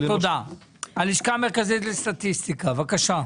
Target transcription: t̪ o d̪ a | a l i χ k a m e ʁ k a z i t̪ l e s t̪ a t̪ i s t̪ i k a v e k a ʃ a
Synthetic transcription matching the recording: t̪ o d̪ a | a l i ʃ k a m e ʁ k a z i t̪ l e s t̪ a t̪ i s t̪ i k a v a k a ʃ a